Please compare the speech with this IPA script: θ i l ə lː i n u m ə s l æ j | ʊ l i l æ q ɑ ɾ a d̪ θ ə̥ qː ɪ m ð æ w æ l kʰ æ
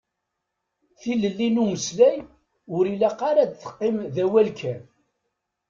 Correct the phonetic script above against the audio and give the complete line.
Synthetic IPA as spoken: θ i l ə lː i n u m ə s l æ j | ʊ ɾ i l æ q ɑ ɾ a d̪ θ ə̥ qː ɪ m ð æ w æ l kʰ æ